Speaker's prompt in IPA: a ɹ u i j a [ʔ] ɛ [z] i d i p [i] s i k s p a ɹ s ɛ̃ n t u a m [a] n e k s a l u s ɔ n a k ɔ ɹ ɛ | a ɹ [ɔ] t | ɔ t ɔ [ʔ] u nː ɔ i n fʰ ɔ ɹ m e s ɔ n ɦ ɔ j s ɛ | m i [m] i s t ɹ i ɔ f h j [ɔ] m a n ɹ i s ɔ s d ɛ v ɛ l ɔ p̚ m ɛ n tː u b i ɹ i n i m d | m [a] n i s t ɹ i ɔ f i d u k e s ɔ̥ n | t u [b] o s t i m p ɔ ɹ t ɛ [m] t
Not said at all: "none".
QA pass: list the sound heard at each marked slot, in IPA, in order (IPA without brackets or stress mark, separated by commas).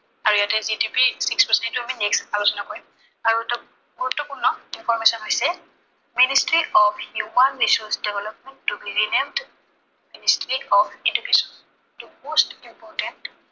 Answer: t, z, i, i, u, k, n, u, i, m, n